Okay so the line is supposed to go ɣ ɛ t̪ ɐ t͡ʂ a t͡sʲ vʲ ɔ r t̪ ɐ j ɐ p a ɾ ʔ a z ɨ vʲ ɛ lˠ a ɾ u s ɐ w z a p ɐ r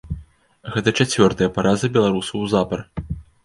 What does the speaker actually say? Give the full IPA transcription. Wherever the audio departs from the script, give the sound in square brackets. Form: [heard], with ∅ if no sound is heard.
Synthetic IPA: ɣ ɛ t̪ ɐ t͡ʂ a t͡sʲ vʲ ɔ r t̪ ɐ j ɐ p a ɾ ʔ a z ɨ [bʲ] ɛ lˠ a ɾ u s ɐ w z a p ɐ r